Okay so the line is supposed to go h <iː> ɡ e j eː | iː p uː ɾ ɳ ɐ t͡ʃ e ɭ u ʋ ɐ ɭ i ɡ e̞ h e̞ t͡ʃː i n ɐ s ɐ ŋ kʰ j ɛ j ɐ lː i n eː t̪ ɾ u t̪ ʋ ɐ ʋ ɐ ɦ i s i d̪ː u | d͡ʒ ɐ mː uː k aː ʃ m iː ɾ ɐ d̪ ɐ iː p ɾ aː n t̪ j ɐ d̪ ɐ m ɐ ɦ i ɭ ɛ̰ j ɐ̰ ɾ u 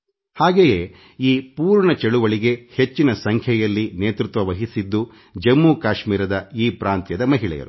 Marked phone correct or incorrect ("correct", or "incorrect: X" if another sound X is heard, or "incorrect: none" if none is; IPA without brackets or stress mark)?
incorrect: aː